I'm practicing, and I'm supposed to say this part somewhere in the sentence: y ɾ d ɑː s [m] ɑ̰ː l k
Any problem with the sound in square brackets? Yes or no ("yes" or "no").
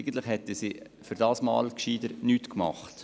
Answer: no